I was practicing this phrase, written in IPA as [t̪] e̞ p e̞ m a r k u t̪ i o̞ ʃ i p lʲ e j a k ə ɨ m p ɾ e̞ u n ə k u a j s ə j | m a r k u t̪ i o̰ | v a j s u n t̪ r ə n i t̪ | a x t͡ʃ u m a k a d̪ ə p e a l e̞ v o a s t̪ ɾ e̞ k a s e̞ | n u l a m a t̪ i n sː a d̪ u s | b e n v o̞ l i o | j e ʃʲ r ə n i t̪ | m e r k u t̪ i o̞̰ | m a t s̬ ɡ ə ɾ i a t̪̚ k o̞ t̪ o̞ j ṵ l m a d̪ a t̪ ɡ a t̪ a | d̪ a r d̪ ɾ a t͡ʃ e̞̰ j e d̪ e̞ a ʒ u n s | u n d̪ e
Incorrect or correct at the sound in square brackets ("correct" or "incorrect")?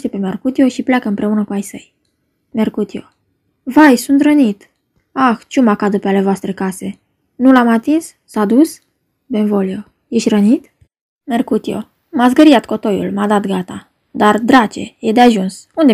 correct